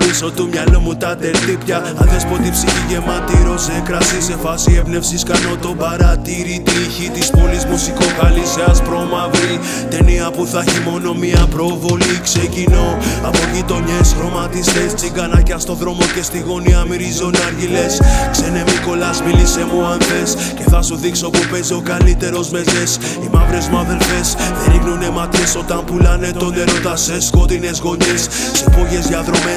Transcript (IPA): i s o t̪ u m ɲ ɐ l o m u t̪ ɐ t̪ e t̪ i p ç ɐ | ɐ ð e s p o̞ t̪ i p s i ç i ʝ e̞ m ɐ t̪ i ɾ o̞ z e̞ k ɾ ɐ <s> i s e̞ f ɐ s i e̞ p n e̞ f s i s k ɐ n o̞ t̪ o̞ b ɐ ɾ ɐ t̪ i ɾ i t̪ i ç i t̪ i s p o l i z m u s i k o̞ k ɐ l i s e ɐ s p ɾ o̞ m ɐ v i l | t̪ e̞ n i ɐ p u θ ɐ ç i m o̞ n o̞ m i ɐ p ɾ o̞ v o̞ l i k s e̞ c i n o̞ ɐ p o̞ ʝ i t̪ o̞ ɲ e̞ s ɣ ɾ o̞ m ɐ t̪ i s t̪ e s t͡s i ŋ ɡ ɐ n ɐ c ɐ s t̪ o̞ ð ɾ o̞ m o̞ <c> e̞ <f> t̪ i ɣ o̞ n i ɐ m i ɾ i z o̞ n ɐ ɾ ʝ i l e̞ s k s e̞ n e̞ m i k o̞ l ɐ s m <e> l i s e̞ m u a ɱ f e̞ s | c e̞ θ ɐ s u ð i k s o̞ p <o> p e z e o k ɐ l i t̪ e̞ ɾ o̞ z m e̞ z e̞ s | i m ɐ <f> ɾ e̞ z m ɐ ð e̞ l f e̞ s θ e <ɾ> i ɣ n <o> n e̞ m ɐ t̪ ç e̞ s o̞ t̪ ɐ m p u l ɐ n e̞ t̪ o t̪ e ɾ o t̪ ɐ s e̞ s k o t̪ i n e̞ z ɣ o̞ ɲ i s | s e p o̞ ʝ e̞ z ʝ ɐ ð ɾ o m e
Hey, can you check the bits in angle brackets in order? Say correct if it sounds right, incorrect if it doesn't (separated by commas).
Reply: correct, correct, incorrect, incorrect, incorrect, incorrect, correct, incorrect